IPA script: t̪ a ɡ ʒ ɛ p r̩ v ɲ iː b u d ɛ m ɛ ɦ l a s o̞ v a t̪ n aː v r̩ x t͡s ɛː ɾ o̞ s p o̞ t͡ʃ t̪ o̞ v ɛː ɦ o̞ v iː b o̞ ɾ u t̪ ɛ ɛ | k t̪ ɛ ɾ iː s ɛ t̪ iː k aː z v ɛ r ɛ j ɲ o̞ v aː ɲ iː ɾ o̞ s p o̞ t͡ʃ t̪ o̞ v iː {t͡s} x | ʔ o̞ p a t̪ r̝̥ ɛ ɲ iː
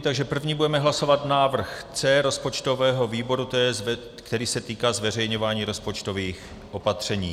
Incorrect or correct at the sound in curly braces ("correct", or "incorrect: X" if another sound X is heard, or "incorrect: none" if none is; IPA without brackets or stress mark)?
incorrect: none